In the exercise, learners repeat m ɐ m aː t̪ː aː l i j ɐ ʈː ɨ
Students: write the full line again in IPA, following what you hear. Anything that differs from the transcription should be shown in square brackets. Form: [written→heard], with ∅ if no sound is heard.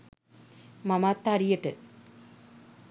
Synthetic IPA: m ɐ m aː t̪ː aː [l→ɾ] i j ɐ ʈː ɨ